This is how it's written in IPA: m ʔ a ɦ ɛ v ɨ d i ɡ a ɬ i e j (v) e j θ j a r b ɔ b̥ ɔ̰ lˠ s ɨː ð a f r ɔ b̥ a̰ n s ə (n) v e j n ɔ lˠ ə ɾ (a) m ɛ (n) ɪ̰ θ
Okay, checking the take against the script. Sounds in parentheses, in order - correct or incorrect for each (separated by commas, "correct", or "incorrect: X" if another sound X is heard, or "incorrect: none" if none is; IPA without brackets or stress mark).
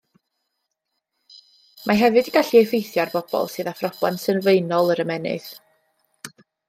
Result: incorrect: f, correct, incorrect: ə, correct